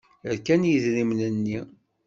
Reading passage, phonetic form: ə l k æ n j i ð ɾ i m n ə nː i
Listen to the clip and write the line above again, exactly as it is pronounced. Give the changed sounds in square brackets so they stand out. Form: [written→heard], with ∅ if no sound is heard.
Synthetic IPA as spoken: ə [l→ɾ] k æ n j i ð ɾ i m n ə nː i